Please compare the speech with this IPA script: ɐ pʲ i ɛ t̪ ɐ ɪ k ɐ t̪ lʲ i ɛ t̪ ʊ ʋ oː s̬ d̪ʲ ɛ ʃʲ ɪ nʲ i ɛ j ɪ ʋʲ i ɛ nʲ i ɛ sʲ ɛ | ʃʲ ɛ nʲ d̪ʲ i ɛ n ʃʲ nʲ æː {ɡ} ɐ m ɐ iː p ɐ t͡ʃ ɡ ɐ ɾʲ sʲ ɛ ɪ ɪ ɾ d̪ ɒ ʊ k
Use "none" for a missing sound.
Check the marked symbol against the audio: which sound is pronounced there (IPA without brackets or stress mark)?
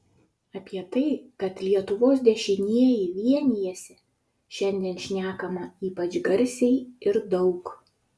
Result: k